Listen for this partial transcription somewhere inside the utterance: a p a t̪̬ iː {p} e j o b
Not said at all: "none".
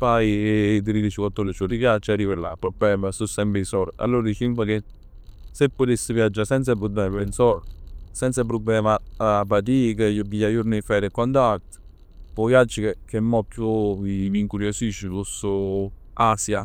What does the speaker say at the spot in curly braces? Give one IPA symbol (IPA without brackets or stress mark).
k